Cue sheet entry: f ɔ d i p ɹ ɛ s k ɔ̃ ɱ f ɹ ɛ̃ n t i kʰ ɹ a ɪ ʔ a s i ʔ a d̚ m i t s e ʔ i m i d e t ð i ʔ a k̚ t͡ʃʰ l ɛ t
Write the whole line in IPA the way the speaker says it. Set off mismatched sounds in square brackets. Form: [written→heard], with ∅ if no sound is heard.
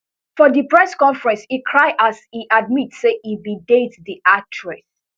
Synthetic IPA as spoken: f ɔ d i p ɹ ɛ s k ɔ̃ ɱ f ɹ ɛ̃ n [t→s] i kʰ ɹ a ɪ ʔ a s i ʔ a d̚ m i t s e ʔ i [m→b] i d e t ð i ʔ a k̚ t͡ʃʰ [l→ɹ] ɛ [t→s]